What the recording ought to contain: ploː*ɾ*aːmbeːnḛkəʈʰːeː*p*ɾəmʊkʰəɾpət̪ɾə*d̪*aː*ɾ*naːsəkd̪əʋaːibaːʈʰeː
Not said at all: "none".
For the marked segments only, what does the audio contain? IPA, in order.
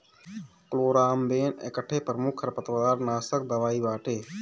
ɾ, p, d̪, ɾ

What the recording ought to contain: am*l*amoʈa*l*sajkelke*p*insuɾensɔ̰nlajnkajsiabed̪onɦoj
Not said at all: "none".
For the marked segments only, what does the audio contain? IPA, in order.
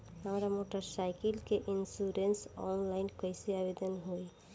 ɾ, ɾ, ʔ

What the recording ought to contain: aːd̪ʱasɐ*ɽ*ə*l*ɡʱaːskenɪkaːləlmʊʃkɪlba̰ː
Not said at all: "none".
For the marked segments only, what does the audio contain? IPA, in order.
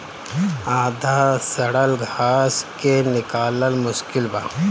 ɽ, l

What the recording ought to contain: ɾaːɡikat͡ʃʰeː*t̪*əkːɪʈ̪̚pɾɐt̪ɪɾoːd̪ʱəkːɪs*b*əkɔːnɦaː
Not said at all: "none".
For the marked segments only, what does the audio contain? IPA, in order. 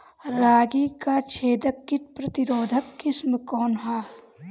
d̪, m

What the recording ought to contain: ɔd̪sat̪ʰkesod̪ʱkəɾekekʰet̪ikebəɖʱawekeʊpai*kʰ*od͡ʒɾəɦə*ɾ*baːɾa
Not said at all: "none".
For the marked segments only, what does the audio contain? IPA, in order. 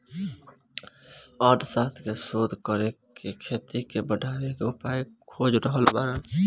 kʰ, l

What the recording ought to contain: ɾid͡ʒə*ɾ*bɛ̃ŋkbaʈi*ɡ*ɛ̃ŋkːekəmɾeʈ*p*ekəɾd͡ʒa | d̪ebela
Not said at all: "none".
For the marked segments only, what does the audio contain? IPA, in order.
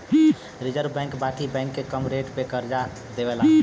ɾ, b, p

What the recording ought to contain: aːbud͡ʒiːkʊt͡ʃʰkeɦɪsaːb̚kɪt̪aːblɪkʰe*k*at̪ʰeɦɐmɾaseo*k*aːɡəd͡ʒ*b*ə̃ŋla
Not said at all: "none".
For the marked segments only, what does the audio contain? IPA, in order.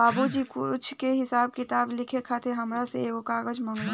kʰ, k, m

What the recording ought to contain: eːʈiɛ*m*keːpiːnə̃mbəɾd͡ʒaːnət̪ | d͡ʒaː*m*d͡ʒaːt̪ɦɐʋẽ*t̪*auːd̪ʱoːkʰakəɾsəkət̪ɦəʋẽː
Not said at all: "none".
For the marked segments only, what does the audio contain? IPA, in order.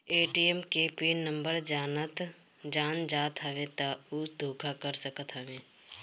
m, n, t̪

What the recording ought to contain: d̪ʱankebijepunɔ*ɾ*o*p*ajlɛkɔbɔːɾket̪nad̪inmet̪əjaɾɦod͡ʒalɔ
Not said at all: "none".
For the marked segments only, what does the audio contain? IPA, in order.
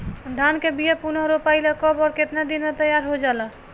ɾ, p

